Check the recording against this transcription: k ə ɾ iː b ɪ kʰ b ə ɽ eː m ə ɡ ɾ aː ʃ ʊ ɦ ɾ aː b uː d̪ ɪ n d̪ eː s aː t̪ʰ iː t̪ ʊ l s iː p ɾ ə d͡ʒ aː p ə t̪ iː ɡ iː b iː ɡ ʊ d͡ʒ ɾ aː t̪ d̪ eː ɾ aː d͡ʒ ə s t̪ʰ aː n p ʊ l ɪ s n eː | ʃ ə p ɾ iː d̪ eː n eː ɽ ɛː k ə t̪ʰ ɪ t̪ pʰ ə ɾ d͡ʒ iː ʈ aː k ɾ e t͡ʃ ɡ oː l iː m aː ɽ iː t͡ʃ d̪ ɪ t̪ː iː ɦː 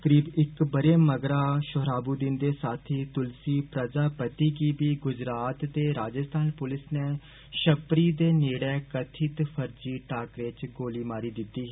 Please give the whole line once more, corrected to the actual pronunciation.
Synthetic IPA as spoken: k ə ɾ iː b ɪ k b ə ɾ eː m ə ɡ ɾ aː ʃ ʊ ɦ ɾ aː b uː d̪ ɪ n d̪ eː s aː t̪ʰ iː t̪ ʊ l s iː p ɾ ə d͡ʒ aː p ə t̪ iː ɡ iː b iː ɡ ʊ d͡ʒ ɾ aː t̪ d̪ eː ɾ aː d͡ʒ ə s t̪ʰ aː n p ʊ l ɪ s n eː | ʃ ə p ɾ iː d̪ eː n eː ɽ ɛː k ə t̪ʰ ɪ t̪ pʰ ə ɾ d͡ʒ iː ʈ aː k ɾ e t͡ʃ ɡ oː l iː m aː ɾ iː d̪ ɪ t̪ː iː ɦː

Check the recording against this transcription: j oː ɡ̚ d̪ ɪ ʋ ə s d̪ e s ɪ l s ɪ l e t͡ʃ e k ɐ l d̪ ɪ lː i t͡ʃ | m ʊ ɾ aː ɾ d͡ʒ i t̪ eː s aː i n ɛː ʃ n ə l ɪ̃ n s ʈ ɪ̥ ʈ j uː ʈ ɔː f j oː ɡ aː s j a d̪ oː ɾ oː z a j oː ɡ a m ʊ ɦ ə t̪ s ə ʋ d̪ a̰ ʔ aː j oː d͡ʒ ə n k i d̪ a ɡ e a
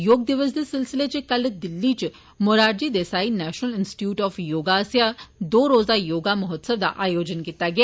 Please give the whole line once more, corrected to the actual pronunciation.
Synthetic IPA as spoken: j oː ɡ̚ d̪ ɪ ʋ ə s d̪ e s ɪ l s ɪ l e t͡ʃ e k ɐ l d̪ ɪ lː i t͡ʃ | m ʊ ɾ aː ɾ d͡ʒ i d̪ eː s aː i n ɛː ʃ n ə l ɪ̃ n s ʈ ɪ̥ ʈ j uː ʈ ɔː f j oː ɡ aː s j a d̪ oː ɾ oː z a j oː ɡ a m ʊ ɦ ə t̪ s ə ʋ d̪ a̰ ʔ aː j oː d͡ʒ ə n k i t̪ a ɡ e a

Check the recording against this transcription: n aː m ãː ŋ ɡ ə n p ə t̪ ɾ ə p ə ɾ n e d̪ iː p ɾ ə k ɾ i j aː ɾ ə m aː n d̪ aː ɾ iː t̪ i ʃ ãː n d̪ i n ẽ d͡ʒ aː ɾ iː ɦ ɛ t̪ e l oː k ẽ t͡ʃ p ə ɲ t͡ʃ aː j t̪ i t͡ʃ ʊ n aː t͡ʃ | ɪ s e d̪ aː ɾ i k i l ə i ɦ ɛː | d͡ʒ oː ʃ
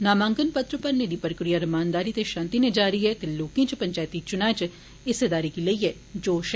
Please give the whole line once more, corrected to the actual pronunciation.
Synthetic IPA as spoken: n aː m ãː ŋ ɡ ə n p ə t̪ ɾ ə p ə ɾ n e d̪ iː p ɾ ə k ɾ i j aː ɾ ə m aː n d̪ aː ɾ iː t̪ e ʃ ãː n t̪ i n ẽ d͡ʒ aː ɾ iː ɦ ɛ t̪ e l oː k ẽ t͡ʃ p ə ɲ t͡ʃ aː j t̪ i t͡ʃ ʊ n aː t͡ʃ | ɪ s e d̪ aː ɾ i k i l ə i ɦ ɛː | d͡ʒ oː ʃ

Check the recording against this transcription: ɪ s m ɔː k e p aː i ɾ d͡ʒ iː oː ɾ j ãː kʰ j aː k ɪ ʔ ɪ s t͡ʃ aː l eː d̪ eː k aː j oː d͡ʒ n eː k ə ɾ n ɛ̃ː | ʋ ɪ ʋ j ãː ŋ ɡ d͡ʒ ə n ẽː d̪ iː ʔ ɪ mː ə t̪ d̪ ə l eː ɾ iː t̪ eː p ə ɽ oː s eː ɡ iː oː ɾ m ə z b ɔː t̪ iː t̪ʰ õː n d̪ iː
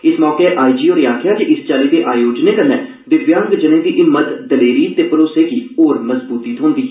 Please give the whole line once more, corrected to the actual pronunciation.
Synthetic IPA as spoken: ɪ s m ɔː k e ʔ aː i d͡ʒ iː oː ɾ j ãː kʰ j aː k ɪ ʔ ɪ s t͡ʃ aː l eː d̪ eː ʔ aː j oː d͡ʒ n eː k ə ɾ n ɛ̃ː | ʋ ɪ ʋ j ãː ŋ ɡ d͡ʒ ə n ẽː d̪ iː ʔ ɪ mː ə t̪ d̪ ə l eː ɾ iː t̪ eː p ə ɾ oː s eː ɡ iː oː ɾ m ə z b uː t̪ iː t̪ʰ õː n d̪ iː

